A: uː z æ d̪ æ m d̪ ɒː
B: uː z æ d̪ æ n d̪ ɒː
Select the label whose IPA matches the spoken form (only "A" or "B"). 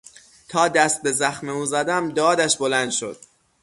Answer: A